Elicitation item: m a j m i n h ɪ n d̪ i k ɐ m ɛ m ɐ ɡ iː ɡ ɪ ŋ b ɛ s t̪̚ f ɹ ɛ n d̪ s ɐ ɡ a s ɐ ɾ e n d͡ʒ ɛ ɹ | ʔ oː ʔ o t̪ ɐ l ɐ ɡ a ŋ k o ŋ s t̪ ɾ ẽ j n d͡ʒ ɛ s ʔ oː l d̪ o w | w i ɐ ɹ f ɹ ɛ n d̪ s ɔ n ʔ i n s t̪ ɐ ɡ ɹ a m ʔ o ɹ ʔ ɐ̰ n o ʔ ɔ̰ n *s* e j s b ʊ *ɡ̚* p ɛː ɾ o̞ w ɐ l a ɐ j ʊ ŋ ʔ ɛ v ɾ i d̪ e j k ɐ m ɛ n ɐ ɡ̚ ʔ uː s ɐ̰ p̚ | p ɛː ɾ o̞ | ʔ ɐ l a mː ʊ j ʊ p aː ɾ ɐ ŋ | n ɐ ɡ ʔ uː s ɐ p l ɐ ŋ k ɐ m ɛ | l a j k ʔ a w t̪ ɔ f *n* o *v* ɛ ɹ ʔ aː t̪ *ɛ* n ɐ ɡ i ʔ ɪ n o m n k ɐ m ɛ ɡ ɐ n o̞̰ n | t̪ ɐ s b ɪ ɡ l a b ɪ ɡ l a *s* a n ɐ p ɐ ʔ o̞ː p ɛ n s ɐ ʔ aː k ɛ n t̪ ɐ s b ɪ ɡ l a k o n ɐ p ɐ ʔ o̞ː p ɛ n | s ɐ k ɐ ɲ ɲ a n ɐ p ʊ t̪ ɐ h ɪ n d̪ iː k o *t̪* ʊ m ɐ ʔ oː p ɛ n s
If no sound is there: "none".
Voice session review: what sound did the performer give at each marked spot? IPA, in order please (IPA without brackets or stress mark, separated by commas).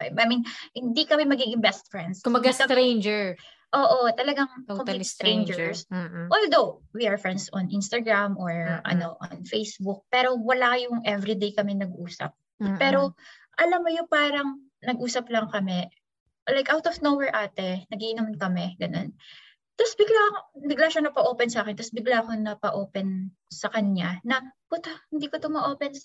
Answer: f, k̚, n, w, ɛ, ʃ, t̪